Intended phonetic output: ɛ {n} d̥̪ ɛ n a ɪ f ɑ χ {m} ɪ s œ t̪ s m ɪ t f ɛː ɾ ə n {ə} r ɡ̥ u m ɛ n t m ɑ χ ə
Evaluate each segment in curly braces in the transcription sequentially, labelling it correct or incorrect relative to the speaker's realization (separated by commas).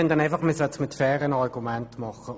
correct, correct, incorrect